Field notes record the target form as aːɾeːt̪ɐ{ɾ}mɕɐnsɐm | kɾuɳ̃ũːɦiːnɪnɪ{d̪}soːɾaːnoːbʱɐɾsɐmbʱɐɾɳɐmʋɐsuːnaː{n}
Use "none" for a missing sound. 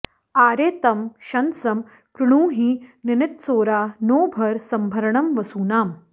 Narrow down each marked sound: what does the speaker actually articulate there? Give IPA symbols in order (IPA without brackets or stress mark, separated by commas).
none, t̪, m